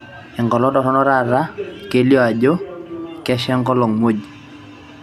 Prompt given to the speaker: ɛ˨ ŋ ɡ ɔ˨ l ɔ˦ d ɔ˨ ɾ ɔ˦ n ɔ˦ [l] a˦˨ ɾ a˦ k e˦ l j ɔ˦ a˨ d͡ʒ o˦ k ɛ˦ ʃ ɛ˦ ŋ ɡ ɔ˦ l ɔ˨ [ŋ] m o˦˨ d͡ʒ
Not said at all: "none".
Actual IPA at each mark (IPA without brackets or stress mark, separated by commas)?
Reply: ɾ, ŋ